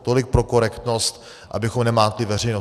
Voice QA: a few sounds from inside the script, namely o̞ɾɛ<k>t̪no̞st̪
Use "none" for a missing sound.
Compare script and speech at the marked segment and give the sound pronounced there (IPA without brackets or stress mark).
k